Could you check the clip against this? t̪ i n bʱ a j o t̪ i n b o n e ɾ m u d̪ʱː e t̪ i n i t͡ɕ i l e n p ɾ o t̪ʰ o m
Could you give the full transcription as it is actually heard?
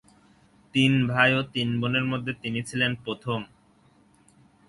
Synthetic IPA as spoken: t̪ i n bʱ a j o t̪ i n b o n e ɾ m o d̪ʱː e t̪ i n i t͡ɕʰ i l e n p ɾ o t̪ʰ o m